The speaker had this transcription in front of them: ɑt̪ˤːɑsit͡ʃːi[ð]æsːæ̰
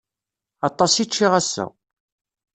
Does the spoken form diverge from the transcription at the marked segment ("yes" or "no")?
yes